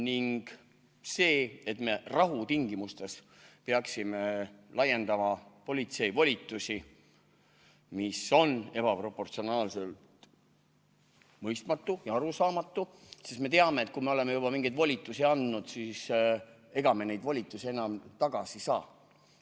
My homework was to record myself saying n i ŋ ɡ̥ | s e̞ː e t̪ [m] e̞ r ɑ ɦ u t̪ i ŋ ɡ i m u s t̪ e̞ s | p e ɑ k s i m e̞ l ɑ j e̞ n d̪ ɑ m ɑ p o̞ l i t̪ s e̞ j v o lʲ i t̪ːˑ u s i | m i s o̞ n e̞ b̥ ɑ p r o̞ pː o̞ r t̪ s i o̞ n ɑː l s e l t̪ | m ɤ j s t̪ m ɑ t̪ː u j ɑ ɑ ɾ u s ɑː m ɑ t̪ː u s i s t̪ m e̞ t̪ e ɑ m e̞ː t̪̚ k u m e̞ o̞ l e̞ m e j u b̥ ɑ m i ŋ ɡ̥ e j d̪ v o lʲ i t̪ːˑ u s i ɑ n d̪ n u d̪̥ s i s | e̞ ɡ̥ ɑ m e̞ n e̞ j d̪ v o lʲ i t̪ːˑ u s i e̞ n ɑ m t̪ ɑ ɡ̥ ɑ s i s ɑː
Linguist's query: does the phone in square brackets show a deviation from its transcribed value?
no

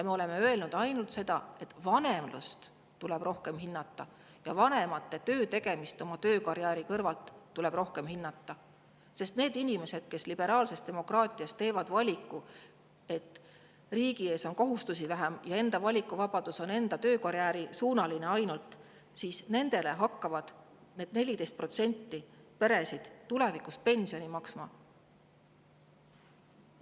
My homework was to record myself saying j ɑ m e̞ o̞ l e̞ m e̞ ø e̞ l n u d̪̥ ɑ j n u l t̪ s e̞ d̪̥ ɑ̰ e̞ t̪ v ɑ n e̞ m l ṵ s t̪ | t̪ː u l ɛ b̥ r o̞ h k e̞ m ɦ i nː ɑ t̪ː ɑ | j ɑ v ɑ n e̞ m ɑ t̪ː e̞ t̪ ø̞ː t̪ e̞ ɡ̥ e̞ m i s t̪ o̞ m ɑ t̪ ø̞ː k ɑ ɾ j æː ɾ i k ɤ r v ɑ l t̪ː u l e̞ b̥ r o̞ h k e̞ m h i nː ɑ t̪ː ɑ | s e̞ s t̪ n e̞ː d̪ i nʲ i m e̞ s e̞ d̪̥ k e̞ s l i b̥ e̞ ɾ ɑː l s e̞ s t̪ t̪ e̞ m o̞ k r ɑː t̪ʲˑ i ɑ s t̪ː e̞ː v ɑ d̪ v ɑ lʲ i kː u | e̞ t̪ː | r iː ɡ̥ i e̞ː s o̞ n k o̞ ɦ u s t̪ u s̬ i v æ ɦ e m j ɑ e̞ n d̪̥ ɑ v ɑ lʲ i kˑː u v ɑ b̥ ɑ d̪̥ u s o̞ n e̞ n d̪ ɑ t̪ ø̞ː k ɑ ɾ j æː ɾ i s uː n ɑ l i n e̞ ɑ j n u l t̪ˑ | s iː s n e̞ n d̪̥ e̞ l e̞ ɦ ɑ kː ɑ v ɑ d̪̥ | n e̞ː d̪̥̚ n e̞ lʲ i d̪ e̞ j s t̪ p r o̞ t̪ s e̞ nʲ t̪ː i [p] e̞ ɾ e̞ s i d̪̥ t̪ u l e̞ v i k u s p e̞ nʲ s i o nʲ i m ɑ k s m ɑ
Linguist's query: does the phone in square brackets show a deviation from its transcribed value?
no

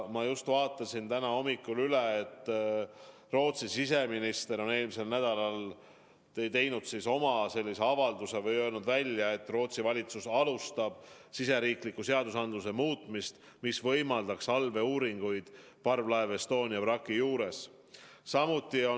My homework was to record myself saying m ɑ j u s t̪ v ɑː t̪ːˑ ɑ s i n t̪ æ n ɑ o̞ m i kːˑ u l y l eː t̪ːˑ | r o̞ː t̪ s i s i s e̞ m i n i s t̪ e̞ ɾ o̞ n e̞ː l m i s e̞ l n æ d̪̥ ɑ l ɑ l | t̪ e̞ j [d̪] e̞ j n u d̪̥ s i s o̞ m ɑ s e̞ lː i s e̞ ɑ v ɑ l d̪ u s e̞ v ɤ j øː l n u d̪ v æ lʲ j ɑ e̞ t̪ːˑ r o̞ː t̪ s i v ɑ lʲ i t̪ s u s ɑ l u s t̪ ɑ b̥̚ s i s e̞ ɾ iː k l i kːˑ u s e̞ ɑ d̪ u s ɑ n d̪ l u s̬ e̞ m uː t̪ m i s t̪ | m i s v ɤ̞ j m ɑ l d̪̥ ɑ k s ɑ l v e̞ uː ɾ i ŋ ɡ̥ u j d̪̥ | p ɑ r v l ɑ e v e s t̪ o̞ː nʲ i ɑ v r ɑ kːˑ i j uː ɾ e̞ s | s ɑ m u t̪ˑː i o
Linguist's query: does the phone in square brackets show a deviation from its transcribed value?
yes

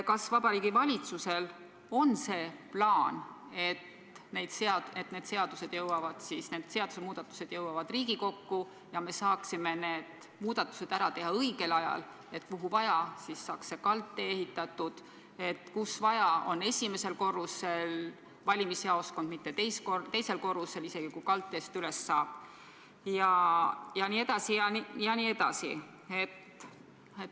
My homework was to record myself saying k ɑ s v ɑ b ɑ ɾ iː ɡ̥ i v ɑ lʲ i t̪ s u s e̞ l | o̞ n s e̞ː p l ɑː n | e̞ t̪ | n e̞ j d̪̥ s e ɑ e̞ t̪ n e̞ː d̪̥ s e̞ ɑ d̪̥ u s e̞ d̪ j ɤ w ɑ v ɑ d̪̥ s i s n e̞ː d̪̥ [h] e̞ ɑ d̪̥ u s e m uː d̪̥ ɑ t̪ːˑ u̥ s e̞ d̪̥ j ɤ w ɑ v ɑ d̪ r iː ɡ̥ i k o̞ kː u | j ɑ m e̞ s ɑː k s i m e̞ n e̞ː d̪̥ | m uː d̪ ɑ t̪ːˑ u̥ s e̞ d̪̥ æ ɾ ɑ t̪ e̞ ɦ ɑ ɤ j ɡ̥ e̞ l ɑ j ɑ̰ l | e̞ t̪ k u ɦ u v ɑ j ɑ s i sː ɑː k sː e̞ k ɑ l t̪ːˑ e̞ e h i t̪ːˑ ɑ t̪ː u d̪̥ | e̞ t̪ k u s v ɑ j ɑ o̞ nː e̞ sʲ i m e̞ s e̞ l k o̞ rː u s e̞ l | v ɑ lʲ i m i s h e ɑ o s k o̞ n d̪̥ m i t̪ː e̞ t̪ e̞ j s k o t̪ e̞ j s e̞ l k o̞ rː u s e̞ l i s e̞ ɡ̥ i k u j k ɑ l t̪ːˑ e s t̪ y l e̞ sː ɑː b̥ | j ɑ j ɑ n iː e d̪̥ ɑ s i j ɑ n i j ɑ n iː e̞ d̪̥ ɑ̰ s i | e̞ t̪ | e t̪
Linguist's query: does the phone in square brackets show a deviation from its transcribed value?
yes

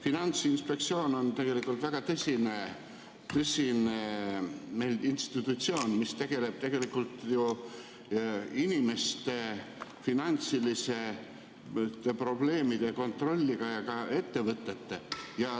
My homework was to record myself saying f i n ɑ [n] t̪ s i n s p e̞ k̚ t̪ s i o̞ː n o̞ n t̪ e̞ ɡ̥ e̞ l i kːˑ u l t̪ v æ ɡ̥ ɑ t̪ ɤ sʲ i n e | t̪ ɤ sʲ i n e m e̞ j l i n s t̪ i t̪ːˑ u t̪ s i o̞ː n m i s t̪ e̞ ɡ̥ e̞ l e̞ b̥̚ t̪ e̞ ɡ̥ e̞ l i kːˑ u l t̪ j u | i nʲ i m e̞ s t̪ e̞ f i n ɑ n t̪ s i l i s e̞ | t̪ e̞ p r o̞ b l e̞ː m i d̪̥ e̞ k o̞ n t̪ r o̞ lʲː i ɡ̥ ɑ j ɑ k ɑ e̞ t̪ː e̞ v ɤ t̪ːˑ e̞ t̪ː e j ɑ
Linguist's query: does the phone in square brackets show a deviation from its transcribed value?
no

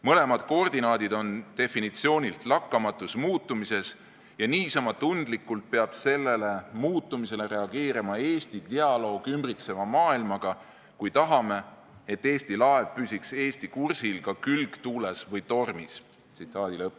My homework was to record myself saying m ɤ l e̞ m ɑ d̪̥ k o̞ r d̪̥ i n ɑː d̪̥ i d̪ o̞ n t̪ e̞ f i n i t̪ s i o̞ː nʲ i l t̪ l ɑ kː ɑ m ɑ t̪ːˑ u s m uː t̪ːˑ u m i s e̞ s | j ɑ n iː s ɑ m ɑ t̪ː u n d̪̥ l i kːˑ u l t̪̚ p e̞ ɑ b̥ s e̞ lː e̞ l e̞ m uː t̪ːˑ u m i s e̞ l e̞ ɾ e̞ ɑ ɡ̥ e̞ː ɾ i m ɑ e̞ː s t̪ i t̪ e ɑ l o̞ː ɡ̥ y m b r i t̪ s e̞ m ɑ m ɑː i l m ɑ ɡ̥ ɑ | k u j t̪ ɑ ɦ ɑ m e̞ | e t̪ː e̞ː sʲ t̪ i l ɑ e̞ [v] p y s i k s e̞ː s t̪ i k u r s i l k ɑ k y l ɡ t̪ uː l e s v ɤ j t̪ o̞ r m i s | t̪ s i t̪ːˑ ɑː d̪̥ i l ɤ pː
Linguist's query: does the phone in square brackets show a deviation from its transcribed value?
no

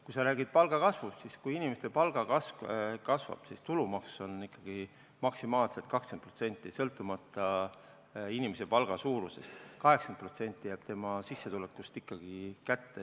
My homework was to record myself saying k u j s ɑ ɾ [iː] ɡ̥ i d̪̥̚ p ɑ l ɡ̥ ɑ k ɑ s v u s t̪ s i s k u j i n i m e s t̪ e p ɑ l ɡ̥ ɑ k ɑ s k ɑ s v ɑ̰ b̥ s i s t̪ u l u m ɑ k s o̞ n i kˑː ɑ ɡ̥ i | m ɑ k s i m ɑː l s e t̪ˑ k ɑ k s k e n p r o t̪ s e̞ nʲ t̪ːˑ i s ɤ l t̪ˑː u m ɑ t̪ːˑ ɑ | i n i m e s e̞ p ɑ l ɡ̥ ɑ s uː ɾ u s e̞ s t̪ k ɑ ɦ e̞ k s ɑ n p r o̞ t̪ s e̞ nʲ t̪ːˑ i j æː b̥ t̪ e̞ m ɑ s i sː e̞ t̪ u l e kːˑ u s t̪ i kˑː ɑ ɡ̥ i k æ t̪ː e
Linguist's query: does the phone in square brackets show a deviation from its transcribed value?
yes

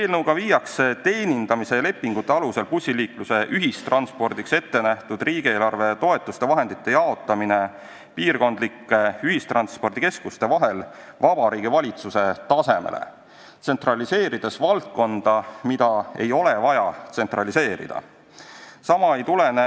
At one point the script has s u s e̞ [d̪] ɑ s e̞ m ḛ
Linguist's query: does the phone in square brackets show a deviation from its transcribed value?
yes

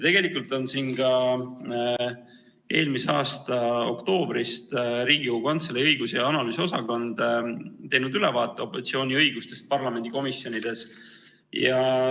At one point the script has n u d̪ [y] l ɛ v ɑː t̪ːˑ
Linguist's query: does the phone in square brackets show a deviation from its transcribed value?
no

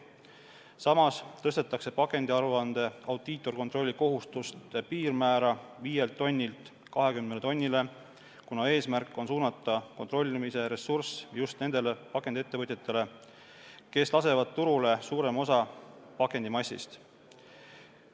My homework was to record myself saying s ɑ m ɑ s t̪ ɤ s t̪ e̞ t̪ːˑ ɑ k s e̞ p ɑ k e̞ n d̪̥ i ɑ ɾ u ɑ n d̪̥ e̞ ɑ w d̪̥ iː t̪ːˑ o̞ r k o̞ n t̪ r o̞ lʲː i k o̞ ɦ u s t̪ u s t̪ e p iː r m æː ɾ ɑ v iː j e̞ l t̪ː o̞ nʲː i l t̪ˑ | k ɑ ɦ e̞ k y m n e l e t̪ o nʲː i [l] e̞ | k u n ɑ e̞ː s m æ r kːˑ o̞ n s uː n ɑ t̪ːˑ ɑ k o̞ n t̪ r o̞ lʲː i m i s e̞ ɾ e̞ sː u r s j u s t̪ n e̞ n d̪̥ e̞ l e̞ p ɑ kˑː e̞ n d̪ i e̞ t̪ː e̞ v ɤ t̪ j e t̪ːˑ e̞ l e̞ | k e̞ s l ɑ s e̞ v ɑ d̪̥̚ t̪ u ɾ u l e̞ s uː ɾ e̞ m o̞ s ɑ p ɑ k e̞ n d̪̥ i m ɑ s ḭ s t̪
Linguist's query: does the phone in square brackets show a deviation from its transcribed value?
no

